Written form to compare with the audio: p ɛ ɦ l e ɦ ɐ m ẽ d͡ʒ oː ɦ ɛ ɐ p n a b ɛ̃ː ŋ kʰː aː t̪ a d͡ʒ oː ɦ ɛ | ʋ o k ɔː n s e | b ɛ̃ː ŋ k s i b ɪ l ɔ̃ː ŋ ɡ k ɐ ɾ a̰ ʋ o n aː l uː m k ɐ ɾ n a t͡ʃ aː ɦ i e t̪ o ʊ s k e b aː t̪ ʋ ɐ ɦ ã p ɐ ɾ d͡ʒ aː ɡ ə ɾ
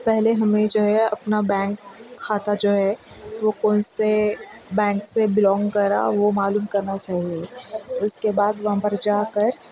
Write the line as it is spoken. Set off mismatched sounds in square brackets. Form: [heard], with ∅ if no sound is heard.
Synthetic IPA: p ɛ ɦ l e ɦ ɐ m ẽ d͡ʒ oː ɦ ɛ ɐ p n a b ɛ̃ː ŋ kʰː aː t̪ a d͡ʒ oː ɦ ɛ | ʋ o k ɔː n s e | b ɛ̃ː ŋ k s [e] b ɪ l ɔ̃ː ŋ ɡ k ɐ ɾ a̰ ʋ o [m] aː l uː m k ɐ ɾ n a t͡ʃ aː ɦ i e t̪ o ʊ s k e b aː [d̪] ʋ ɐ ɦ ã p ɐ ɾ d͡ʒ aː [k] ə ɾ